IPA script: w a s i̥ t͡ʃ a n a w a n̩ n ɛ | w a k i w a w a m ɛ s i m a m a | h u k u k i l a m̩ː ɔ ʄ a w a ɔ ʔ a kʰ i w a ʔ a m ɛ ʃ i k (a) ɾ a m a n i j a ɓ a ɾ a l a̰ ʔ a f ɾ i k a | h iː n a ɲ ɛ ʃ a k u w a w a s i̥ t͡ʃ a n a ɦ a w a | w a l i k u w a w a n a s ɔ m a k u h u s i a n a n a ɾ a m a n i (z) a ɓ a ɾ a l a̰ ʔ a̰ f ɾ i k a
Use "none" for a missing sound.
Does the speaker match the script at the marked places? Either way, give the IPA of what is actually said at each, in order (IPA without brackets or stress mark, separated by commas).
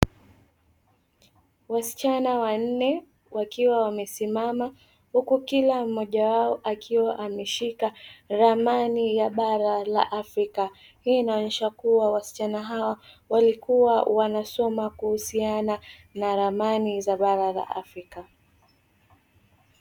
a, z